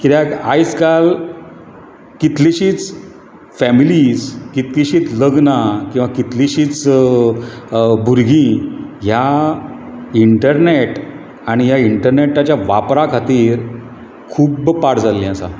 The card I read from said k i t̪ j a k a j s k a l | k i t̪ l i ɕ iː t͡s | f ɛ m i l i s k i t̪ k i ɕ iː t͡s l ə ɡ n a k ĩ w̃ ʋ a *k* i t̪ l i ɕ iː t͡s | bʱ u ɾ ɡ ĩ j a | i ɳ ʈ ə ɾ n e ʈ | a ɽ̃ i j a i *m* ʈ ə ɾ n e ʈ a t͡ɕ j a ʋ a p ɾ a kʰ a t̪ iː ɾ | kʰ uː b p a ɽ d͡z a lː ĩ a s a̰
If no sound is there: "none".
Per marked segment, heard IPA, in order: k, ɳ

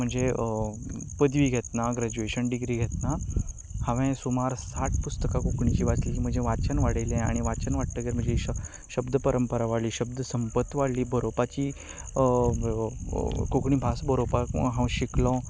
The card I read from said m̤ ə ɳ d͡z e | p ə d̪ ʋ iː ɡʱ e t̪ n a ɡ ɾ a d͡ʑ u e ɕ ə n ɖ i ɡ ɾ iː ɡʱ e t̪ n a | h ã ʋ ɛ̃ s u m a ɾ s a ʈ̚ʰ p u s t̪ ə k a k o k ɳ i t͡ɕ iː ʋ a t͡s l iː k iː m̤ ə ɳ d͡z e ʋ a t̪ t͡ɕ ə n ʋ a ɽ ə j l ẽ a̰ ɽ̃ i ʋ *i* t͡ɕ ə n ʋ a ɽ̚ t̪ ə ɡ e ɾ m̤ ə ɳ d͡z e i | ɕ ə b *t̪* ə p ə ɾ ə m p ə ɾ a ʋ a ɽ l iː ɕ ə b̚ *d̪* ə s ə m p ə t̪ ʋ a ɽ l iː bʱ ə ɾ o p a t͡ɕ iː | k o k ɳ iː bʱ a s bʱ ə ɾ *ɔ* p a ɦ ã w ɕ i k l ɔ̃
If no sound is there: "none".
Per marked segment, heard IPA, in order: a, d̪, d̪, o

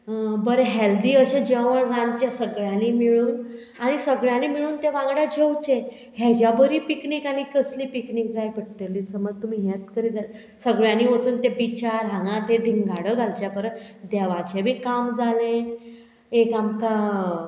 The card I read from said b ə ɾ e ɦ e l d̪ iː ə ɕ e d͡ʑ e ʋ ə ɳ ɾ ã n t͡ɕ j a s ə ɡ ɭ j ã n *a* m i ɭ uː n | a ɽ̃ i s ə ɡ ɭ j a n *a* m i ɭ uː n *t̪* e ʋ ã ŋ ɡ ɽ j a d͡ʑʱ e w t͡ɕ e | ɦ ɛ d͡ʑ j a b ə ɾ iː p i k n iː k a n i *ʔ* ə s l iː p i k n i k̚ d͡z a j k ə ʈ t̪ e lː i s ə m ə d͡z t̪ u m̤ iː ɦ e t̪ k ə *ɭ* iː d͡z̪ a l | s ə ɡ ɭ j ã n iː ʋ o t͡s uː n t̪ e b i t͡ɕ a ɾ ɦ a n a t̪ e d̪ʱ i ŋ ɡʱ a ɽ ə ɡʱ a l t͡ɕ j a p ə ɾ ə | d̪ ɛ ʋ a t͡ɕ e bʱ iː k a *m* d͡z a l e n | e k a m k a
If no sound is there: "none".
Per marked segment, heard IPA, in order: i, i, t̪, k, ɾ, m

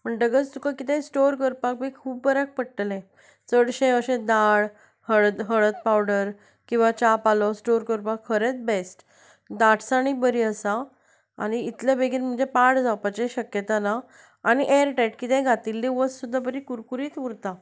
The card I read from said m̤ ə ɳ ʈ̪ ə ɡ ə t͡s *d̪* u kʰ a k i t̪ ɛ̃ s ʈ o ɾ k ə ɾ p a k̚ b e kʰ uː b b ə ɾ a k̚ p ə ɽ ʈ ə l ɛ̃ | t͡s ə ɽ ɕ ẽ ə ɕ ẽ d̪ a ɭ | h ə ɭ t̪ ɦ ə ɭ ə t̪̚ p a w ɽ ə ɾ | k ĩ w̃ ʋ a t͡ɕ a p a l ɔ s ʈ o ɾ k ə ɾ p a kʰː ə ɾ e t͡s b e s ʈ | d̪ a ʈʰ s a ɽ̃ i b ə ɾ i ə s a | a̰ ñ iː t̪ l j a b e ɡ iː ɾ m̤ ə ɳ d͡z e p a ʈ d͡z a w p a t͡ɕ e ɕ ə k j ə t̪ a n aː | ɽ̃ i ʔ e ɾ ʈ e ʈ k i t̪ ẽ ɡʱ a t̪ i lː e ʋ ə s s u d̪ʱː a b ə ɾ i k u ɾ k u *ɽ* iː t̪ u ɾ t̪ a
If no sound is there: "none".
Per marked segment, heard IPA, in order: t̪, ɾ

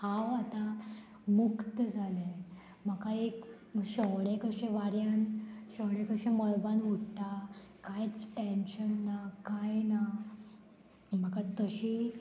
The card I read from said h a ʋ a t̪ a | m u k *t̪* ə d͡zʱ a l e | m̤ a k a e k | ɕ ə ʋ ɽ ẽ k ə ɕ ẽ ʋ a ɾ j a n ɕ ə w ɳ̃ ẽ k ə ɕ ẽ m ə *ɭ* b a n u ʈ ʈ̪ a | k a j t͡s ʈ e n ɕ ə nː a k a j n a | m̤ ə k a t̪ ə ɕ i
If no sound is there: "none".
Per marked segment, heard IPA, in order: t̪, ɭ

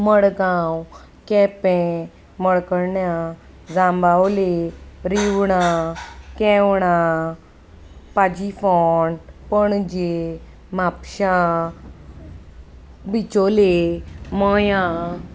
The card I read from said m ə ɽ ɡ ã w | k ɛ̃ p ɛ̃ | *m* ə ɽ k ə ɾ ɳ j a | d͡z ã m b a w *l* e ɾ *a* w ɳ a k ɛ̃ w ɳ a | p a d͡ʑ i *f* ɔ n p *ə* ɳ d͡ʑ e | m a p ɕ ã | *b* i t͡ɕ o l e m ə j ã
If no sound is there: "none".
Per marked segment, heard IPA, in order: m, l, i, f, ə, b

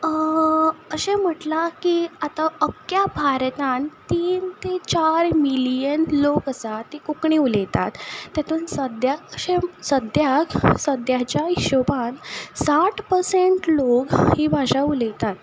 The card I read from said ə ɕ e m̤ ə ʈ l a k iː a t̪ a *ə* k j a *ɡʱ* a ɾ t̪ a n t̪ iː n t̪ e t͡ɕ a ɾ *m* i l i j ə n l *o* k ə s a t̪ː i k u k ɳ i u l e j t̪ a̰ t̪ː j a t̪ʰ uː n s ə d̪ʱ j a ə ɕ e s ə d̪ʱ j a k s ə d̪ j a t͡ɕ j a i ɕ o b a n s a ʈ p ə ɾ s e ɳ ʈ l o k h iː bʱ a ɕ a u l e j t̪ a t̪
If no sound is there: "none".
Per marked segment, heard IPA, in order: ə, bʱ, m, o

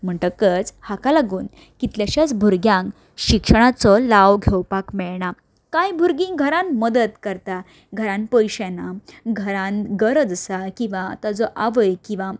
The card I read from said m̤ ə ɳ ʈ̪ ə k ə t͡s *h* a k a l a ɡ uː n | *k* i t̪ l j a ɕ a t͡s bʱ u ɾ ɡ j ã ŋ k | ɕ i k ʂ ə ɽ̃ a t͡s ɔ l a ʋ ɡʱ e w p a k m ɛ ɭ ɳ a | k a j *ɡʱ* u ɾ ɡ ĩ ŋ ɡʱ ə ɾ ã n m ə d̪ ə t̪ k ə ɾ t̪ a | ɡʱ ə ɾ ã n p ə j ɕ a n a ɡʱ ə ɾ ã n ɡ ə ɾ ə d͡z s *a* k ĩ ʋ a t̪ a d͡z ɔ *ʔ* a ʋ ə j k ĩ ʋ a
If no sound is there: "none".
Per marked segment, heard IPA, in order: h, k, bʱ, a, ʔ

